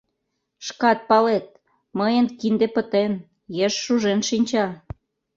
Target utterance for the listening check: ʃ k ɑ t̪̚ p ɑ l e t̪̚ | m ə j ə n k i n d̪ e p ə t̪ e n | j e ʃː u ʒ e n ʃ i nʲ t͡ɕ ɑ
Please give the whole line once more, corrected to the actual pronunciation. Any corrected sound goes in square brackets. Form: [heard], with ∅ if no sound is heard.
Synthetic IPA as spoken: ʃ k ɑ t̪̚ p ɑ l e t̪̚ | m ə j ə n k i n d̪ e p ə t̪ e n | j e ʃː u ʒ e n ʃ i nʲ t͡ɕ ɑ